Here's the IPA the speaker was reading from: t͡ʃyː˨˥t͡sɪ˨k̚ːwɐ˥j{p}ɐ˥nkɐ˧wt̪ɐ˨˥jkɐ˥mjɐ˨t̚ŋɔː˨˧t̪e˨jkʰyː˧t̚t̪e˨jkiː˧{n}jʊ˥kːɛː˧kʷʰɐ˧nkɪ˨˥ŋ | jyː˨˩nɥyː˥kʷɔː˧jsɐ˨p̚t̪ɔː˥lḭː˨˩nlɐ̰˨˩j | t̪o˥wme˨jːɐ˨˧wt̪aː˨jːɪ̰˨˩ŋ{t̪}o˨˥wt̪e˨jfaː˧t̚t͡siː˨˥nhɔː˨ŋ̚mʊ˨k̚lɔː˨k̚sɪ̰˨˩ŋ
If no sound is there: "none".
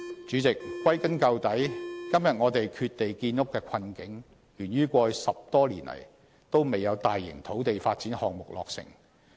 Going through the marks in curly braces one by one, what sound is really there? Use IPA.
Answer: k, n, t̪ʰ

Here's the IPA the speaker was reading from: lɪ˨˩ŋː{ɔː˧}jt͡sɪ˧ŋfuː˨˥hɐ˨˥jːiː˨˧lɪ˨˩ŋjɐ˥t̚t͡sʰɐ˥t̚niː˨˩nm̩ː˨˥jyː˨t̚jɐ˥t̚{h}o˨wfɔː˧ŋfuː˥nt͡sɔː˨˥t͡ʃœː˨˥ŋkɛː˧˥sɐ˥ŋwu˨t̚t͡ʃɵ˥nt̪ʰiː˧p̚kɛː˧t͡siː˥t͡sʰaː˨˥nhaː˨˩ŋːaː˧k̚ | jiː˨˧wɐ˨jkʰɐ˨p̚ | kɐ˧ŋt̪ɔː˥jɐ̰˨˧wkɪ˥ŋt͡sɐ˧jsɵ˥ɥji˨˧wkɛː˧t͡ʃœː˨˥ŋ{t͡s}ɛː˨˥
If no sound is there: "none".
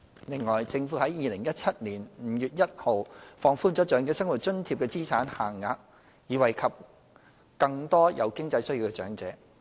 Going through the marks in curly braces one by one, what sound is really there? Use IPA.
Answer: ɔː˨˩, h, t͡s

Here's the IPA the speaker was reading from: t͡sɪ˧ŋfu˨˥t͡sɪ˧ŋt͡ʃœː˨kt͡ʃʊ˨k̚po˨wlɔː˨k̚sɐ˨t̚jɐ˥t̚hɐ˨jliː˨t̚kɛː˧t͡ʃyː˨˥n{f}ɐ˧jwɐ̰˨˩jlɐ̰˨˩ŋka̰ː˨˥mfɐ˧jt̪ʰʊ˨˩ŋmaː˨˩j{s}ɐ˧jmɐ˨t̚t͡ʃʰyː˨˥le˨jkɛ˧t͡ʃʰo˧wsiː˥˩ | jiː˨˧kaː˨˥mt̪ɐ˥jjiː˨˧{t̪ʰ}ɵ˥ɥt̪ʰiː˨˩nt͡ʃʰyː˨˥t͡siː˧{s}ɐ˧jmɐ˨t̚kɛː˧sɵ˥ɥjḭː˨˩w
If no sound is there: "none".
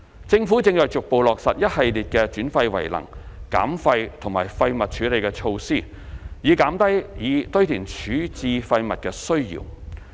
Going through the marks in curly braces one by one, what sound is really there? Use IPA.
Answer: f, f, t̪, f

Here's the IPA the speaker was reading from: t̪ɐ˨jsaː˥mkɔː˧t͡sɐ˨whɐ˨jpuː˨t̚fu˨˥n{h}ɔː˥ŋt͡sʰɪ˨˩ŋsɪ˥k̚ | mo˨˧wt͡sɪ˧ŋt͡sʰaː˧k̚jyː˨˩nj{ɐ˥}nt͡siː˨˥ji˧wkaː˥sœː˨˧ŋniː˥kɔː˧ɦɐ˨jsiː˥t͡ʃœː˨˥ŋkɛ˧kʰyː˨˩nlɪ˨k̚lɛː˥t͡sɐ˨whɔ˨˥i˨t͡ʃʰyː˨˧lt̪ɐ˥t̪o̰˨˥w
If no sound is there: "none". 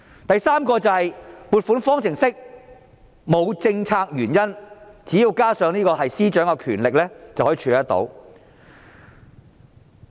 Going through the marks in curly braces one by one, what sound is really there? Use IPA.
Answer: f, ɐ˥

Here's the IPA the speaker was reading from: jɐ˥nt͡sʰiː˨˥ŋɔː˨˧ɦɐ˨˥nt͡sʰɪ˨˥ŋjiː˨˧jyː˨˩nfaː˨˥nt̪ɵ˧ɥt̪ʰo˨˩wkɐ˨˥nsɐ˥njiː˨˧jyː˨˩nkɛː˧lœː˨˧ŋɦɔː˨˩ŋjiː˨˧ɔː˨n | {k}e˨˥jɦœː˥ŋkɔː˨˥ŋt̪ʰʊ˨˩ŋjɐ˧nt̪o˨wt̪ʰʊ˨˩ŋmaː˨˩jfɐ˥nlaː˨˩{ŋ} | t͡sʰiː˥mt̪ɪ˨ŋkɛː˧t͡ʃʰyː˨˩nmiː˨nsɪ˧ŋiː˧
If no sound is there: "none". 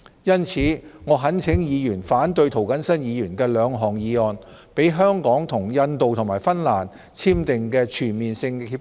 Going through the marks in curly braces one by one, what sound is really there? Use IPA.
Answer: p, n

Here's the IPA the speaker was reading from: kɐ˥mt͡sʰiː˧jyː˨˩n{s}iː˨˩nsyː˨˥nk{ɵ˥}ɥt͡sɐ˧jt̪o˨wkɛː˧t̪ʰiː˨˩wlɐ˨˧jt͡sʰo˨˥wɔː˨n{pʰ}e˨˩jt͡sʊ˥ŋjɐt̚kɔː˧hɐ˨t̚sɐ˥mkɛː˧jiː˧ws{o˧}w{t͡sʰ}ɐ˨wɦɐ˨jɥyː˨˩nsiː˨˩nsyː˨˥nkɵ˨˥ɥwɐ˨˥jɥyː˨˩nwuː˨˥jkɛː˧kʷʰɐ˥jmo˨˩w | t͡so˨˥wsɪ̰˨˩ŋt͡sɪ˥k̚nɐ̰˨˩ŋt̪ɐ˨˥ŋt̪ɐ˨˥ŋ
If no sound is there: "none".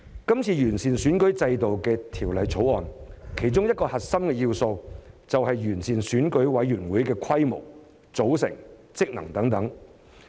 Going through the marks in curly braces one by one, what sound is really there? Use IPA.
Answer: s, ɵ˨˥, kʰ, o˧, t͡s

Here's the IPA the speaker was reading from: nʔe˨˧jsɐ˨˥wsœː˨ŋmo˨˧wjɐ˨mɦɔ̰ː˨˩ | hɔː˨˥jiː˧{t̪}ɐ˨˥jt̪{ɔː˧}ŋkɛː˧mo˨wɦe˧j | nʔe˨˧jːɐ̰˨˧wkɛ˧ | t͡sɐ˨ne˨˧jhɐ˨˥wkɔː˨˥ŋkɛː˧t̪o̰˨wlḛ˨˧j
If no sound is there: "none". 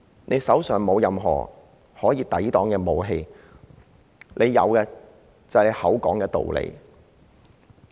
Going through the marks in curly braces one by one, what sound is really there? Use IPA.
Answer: t̪, ɔː˨˥

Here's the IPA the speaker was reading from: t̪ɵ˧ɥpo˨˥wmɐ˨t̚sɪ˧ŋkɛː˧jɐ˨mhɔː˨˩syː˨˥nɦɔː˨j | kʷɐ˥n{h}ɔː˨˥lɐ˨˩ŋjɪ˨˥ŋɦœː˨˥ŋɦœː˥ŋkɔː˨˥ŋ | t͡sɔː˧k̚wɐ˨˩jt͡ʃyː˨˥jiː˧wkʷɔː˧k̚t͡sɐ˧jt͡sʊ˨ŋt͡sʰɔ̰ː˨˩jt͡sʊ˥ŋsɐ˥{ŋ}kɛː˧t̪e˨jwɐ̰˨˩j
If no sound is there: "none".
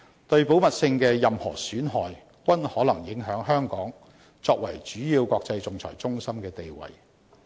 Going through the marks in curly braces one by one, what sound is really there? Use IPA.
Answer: h, m

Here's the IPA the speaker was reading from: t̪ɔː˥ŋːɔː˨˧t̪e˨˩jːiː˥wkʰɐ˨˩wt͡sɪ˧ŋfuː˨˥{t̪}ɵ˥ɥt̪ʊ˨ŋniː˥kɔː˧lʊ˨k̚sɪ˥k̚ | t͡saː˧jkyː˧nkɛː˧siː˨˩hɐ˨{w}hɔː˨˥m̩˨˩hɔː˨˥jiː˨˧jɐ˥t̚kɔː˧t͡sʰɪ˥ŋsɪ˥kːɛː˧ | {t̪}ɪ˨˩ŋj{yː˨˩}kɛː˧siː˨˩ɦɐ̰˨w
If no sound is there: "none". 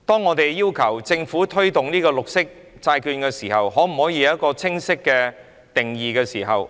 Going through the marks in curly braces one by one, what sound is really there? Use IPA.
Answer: t̪ʰ, w, t̪, iː˨˩

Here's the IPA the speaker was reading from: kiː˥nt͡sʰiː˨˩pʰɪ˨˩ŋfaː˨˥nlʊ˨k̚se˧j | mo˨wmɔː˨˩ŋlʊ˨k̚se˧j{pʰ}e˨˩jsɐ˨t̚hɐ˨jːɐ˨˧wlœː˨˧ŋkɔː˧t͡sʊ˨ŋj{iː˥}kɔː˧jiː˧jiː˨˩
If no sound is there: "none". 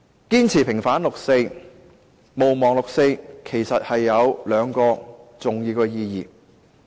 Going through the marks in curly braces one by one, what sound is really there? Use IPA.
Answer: kʰ, iː˧

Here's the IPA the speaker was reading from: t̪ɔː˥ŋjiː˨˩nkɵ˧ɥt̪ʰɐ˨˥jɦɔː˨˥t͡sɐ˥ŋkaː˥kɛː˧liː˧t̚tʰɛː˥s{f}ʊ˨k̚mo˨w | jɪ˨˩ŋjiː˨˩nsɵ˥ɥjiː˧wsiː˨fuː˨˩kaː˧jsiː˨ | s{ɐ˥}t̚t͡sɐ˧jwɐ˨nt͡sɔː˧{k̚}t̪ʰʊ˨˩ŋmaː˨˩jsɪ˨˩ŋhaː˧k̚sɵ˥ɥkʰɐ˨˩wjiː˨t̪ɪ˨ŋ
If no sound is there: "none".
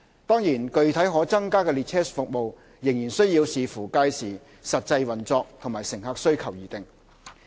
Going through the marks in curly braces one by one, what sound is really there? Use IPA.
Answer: f, ɐ˨, k̚

